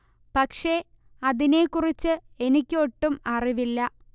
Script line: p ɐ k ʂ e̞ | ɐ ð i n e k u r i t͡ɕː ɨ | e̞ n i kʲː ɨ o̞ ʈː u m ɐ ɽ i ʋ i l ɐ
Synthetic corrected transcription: p ɐ k ʂ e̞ | ɐ ð i n e k u r i t͡ɕː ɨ | e̞ n i kʲː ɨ o̞ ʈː u m ɐ r i ʋ i lː ɐ